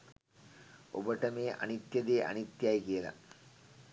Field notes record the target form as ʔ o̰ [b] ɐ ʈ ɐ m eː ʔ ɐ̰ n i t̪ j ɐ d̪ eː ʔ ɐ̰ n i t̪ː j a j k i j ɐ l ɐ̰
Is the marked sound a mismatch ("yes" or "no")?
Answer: no